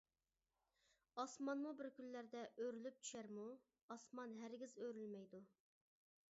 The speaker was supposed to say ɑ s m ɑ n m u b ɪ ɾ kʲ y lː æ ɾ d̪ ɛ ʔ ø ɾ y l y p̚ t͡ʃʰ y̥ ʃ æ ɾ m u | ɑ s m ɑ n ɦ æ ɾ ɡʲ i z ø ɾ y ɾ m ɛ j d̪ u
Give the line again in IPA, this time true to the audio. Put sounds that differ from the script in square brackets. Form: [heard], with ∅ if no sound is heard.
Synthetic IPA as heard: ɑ s m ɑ n m u b ɪ ɾ kʲ y lː æ ɾ d̪ ɛ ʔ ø ɾ y l y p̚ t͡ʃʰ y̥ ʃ æ ɾ m u | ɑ s m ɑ n ɦ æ ɾ ɡʲ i z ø ɾ y [l] m ɛ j d̪ u